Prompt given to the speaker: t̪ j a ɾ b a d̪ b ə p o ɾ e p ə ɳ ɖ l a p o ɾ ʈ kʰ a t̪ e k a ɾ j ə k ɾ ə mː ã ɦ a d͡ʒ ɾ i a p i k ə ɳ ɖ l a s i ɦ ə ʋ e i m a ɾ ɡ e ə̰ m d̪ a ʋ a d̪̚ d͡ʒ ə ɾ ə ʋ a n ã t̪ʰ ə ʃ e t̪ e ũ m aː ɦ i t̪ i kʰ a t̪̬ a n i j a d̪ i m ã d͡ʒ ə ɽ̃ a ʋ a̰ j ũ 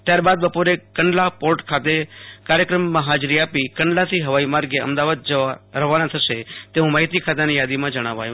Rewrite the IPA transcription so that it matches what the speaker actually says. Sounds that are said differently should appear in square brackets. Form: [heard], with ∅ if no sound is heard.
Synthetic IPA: t̪ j a ɾ b a d̪ b ə p o ɾ e [k] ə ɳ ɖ l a p o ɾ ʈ kʰ a t̪ e k a ɾ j ə k ɾ ə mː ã ɦ a d͡ʒ ɾ i a p i k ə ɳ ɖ l a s i ɦ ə ʋ [a] i m a ɾ ɡ e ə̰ m d̪ a ʋ a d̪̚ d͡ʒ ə ɾ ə ʋ a n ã t̪ʰ ə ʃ e t̪ e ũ m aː ɦ i t̪ i kʰ a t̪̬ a n i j a d̪ i m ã d͡ʒ ə ɽ̃ a ʋ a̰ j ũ